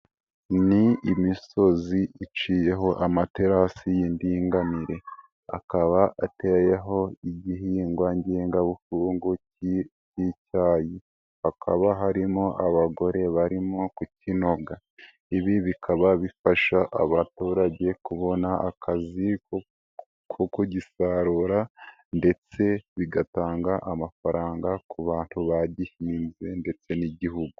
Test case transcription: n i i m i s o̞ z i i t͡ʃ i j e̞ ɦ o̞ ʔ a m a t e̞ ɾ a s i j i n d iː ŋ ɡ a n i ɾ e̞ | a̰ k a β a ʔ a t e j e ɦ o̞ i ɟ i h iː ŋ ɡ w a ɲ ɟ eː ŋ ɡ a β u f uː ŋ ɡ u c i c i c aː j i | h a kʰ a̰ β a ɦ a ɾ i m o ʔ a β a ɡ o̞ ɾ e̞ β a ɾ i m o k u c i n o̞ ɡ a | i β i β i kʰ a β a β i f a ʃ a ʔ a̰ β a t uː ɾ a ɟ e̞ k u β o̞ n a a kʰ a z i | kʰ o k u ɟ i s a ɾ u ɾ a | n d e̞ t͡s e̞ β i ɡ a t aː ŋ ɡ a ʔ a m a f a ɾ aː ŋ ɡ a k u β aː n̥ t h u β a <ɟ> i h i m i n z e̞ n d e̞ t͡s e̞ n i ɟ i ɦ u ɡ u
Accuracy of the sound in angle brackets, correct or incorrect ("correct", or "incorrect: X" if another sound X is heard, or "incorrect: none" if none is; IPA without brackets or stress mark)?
correct